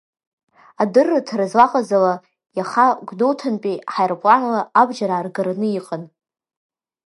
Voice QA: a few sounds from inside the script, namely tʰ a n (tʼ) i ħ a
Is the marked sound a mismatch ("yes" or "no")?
yes